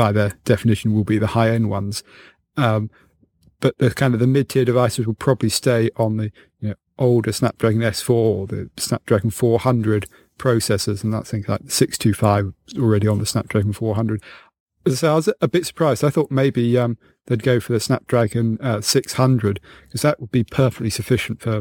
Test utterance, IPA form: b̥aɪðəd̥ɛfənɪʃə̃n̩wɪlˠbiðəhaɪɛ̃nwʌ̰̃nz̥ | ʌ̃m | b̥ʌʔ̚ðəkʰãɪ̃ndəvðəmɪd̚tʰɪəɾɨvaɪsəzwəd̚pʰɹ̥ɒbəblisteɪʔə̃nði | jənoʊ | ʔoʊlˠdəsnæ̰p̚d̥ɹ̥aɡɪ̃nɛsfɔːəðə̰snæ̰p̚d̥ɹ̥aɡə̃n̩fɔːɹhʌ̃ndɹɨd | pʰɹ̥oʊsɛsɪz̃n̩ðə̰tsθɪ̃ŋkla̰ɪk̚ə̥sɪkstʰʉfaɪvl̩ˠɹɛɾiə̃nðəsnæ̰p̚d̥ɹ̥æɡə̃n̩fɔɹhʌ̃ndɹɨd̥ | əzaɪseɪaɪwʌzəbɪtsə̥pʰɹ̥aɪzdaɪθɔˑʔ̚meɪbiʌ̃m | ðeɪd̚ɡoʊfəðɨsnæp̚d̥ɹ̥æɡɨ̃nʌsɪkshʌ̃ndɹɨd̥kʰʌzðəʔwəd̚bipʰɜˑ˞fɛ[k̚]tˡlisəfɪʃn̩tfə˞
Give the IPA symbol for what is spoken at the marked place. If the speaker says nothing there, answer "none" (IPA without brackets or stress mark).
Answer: k̚